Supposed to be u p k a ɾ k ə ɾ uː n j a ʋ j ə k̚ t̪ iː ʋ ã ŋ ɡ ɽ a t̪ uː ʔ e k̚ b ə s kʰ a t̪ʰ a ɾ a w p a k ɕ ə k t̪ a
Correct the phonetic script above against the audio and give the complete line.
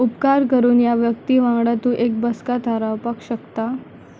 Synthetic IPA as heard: u p k a ɾ k ə ɾ uː n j a ʋ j ə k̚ t̪ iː ʋ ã ŋ ɡ ɽ a t̪ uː ʔ e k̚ b ə s k a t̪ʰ a ɾ a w p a k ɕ ə k t̪ a

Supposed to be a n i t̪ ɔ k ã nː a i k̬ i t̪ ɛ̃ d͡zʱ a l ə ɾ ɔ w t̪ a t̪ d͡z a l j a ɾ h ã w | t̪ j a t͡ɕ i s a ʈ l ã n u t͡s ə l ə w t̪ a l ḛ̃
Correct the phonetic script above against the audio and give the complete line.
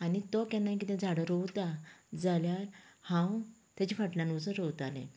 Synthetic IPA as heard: a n i t̪ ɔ k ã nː a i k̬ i t̪ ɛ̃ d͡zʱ a ɽ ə ɾ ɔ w t̪ a d͡z a l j a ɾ h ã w | t̪ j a t͡ɕ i f a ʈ l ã n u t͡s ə ɾ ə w t̪ a l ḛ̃

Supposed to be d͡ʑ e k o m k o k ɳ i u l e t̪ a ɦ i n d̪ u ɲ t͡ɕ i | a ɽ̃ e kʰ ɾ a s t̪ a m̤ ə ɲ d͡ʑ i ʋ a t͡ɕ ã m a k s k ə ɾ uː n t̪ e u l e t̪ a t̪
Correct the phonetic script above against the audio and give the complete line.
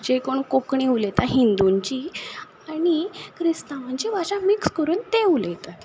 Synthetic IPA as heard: d͡ʑ e k o ɳ k o k ɳ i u l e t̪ a ɦ i n d̪ u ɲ t͡ɕ i | a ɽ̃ i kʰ ɾ i s t̪ a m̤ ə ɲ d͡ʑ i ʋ a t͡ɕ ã m i k s k ə ɾ uː n t̪ e u l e t̪ a t̪

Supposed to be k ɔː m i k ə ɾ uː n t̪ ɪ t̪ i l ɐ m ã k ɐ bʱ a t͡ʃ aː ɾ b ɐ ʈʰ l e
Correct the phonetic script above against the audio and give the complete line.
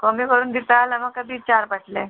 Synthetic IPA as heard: k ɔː m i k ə ɾ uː n d̪ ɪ t̪ a l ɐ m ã k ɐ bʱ i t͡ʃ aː ɾ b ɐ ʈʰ l e

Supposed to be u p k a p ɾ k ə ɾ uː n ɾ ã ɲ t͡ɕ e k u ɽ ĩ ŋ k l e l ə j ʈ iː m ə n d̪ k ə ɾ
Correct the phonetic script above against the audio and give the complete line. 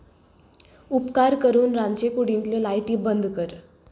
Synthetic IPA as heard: u p k a ɾ k ə ɾ uː n ɾ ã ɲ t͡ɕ e k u ɽ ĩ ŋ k l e l a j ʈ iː b ə n d̪ k ə ɾ

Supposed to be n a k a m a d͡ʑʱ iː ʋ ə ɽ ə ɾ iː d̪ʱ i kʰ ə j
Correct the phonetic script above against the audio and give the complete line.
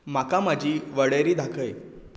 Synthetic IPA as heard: m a k a m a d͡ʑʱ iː ʋ ə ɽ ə ɾ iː d̪ʱ a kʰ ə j

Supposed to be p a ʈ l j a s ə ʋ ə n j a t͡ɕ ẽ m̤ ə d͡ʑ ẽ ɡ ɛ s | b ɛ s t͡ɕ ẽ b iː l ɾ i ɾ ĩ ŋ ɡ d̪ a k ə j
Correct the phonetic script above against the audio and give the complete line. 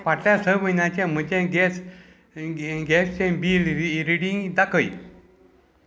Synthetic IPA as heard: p a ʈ l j a s ə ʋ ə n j a t͡ɕ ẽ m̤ ə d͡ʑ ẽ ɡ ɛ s | ɡ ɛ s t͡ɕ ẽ b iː l ɾ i ɽ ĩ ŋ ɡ d̪ a k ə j

